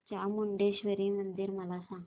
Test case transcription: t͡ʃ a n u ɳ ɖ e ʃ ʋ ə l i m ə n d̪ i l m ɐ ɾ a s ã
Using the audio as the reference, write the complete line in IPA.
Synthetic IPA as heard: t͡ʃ a m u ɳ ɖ e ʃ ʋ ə ɾ i m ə n d̪ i ɾ m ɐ l a s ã

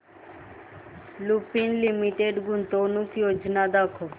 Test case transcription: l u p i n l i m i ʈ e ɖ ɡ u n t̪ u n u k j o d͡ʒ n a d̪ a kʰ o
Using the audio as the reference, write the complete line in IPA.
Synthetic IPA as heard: l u p i n l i m i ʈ e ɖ ɡ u n t̪ o n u k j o d͡ʒ n a d̪ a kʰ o

